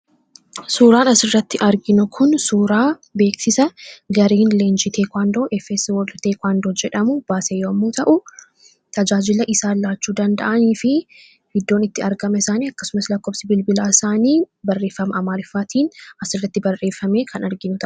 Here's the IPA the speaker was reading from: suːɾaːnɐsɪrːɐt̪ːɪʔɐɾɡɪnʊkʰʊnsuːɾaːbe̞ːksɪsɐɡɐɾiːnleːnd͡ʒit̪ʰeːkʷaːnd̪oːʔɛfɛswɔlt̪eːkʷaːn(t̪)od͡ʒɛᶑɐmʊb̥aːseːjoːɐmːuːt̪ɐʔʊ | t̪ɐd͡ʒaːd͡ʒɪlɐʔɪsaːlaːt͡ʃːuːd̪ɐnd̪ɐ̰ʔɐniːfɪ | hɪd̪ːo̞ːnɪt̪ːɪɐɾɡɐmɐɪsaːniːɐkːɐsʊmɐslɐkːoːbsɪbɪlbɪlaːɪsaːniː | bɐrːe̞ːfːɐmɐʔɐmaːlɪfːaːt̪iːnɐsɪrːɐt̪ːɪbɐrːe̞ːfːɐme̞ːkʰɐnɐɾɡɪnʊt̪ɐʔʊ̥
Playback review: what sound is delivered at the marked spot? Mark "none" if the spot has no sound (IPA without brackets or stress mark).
d̪